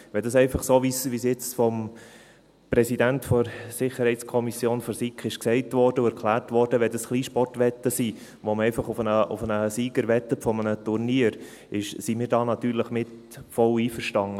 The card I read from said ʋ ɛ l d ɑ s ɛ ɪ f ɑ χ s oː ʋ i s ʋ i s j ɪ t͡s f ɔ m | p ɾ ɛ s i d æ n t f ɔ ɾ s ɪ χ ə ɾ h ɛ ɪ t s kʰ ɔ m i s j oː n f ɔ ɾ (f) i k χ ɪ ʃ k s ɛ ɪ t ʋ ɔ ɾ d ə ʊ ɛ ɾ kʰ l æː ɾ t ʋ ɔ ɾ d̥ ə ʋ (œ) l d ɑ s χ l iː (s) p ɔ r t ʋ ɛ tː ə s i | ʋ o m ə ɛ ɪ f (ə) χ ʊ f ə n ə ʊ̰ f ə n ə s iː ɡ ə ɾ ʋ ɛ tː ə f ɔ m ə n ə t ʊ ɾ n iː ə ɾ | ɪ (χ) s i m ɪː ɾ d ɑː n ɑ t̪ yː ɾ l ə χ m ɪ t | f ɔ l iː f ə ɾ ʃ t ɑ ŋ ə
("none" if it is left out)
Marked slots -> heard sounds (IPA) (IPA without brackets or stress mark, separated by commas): s, ɛ, ʃ, ɑ, ʃ